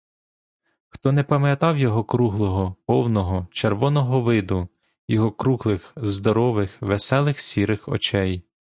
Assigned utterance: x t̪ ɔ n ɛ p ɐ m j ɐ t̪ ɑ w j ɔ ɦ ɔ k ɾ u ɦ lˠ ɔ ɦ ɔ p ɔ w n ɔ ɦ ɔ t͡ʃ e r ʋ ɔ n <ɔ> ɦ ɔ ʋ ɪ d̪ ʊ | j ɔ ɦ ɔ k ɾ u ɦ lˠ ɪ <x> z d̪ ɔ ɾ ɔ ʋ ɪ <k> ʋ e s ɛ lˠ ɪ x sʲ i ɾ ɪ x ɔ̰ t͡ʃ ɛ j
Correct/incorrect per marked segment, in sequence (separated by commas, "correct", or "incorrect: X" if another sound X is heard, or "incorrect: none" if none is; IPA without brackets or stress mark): correct, correct, incorrect: x